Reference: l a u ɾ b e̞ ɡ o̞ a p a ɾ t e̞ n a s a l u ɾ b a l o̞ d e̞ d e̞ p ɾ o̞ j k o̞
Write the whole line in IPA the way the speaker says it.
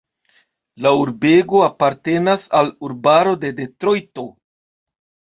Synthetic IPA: l a u ɾ b e̞ ɡ o̞ a p a ɾ t e̞ n a s a l u ɾ b a ɾ o̞ d e̞ d e̞ t ɾ o̞ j t o̞